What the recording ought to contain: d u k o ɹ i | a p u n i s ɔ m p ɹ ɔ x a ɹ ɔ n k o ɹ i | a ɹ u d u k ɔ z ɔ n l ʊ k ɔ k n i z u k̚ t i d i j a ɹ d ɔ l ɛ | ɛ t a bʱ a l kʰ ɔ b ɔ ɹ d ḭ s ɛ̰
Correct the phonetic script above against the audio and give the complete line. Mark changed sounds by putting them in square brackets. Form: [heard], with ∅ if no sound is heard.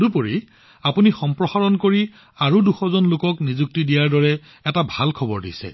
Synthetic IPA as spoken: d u [p] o ɹ i | a p u n i [x] ɔ m p ɹ ɔ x a ɹ ɔ n k o ɹ i | a ɹ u d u [x] ɔ z ɔ n l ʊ k ɔ k n i z u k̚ t i d i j a ɹ d ɔ [ɹ] ɛ | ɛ t a bʱ a l kʰ ɔ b ɔ ɹ d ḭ s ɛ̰